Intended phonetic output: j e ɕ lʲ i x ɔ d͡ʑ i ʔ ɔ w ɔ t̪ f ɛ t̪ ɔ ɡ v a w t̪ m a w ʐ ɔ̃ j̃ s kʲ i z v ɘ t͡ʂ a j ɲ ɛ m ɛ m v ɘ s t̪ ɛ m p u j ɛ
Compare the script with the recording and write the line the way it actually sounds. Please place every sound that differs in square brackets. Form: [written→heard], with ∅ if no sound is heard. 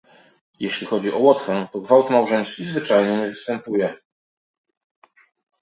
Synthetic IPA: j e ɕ lʲ i x ɔ d͡ʑ i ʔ ɔ w ɔ t̪ f ɛ t̪ ɔ ɡ v a w t̪ m a w ʐ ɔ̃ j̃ s kʲ i z v ɘ t͡ʂ a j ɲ ɛ [m→ɲ] ɛ [m→∅] v ɘ s t̪ ɛ m p u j ɛ